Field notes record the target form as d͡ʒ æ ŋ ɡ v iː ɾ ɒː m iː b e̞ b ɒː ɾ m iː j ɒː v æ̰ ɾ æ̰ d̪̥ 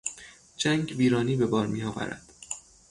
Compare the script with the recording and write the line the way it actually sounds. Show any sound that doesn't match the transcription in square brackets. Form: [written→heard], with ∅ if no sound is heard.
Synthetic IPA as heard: d͡ʒ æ ŋ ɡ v iː ɾ ɒː [m→n] iː b e̞ b ɒː ɾ m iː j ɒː v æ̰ ɾ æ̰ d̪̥

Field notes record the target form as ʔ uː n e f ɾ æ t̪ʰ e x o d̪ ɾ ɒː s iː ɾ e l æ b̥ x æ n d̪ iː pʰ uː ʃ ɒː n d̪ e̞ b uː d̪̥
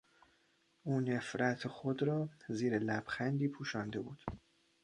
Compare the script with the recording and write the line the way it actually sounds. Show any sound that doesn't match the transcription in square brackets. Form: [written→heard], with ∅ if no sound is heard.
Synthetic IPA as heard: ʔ uː n e f ɾ æ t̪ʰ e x o d̪ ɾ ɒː [s→z] iː ɾ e l æ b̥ x æ n d̪ iː pʰ uː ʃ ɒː n d̪ e̞ b uː d̪̥

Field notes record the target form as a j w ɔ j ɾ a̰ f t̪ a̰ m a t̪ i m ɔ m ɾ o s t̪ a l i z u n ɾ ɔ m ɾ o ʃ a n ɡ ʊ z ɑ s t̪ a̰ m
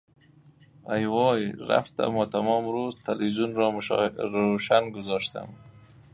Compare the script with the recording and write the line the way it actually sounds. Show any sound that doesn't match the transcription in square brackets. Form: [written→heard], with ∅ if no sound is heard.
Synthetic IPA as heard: a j w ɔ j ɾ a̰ f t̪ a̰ m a t̪ [i→a] m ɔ m ɾ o [s→z] t̪ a l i z u n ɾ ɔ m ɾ o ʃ a n ɡ ʊ z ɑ [s→ʃ] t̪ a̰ m

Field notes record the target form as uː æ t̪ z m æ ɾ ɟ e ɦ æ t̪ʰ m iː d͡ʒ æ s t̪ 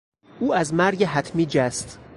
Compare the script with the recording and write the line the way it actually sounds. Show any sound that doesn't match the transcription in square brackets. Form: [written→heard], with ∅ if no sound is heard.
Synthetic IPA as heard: uː æ [t̪→∅] z m æ ɾ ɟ e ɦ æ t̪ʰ m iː d͡ʒ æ s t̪

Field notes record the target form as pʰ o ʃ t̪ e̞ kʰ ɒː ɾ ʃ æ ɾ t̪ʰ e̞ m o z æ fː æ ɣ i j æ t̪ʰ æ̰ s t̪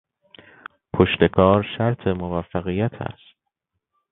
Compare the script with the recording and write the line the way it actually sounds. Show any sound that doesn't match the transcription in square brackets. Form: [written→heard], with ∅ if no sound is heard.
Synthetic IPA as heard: pʰ o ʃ t̪ e̞ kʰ ɒː ɾ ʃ æ ɾ t̪ʰ e̞ m o [z→v] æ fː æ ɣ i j æ t̪ʰ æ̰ s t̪

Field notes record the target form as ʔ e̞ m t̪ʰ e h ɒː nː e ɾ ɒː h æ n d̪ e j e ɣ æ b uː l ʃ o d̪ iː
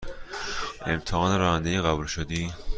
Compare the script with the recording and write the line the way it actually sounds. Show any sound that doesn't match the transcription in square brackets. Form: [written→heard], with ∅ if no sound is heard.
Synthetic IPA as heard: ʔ e̞ m t̪ʰ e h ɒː [nː→n] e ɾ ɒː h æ n d̪ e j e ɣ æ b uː l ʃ o d̪ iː

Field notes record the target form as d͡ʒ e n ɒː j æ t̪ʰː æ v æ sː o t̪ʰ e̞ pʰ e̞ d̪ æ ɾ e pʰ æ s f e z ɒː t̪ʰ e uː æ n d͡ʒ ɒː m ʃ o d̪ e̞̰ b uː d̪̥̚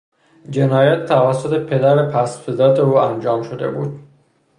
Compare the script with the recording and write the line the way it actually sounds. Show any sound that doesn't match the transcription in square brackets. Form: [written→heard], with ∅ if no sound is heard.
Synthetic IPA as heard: d͡ʒ e n ɒː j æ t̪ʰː æ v æ sː o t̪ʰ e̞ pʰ e̞ d̪ æ ɾ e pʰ æ s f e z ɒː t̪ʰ e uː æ n d͡ʒ ɒː m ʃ o d̪ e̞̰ b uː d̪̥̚

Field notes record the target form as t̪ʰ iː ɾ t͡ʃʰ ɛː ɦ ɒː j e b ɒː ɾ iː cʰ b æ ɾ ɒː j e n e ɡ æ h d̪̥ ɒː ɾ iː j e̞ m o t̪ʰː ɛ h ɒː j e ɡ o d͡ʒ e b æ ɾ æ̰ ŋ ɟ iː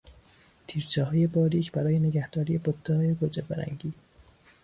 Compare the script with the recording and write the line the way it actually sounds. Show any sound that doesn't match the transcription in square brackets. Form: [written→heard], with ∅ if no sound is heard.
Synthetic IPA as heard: t̪ʰ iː ɾ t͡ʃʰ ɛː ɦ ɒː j e b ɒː ɾ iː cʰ b æ ɾ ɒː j e n e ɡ æ h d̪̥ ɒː ɾ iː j e̞ [m→b] o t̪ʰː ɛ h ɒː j e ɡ o d͡ʒ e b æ ɾ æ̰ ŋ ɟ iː

